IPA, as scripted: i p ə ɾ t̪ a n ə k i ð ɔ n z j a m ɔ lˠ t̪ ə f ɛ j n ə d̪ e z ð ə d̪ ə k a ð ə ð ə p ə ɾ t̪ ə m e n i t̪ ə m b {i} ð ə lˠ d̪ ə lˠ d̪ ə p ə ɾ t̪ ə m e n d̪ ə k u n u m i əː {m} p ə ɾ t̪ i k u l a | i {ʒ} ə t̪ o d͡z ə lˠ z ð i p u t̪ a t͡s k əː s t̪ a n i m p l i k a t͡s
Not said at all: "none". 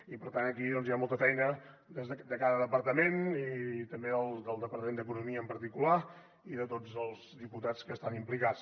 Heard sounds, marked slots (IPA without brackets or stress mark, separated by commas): e, m, ð